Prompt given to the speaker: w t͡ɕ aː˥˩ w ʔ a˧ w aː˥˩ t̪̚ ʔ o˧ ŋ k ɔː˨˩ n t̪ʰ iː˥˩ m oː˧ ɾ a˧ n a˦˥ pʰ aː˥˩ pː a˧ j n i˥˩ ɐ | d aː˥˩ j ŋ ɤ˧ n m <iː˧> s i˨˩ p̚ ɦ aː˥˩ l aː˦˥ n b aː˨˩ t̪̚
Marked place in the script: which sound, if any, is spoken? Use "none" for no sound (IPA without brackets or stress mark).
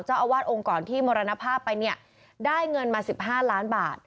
aː˧